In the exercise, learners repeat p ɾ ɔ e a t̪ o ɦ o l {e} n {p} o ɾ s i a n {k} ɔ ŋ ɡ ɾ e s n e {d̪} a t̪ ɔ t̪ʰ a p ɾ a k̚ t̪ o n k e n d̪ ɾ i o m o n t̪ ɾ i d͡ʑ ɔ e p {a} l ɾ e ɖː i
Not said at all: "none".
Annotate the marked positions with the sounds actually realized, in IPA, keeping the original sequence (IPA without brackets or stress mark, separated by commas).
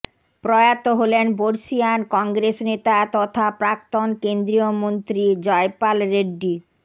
e, b, k, t̪, a